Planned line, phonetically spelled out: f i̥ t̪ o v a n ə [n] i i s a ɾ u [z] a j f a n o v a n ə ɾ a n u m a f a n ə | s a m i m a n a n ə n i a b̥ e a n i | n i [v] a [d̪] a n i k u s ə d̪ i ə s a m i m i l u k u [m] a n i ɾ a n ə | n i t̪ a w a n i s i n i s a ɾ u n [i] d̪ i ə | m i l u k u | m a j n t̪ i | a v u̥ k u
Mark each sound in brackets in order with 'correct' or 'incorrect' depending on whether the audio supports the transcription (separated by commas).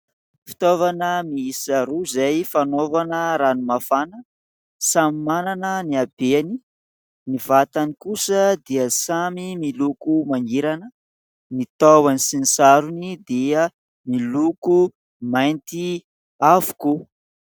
incorrect, correct, correct, incorrect, correct, correct